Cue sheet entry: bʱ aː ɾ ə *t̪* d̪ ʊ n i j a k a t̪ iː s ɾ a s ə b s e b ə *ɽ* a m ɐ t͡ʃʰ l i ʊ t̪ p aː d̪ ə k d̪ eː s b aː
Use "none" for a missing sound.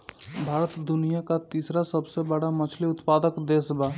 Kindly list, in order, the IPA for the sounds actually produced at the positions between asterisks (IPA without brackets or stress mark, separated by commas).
t̪, ɽ